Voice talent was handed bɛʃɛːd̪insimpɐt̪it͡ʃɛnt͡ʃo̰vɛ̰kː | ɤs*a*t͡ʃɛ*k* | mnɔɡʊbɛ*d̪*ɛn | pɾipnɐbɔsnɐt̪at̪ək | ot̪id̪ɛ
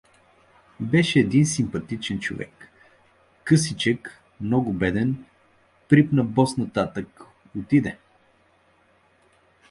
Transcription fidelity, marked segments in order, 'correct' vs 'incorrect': incorrect, correct, correct

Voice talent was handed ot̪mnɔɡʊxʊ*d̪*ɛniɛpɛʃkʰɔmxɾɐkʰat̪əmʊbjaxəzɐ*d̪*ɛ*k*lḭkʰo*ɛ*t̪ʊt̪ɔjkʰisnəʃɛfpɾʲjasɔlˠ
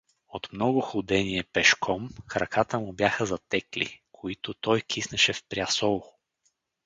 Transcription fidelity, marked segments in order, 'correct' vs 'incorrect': correct, incorrect, correct, incorrect

